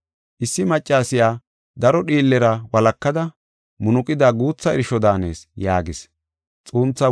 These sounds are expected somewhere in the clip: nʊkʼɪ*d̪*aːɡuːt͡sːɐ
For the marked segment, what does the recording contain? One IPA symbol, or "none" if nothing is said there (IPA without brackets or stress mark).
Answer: d̪